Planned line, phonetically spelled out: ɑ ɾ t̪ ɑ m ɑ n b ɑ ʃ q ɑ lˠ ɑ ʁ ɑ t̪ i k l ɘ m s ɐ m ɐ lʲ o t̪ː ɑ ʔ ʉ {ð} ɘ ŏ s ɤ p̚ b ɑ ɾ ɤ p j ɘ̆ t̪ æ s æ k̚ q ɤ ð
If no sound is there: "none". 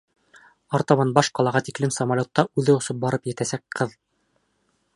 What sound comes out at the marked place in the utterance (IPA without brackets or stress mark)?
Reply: ð